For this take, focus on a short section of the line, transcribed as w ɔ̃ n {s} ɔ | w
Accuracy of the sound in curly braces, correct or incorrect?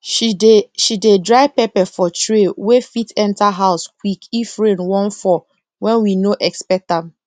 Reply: incorrect